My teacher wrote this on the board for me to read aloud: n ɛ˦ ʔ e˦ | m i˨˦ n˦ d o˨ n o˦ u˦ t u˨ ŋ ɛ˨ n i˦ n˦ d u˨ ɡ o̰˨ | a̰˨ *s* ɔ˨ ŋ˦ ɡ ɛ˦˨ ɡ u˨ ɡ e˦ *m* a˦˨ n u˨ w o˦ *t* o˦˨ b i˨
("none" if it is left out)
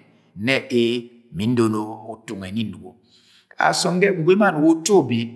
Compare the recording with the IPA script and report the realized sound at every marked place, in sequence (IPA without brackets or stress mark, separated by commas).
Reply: s, m, t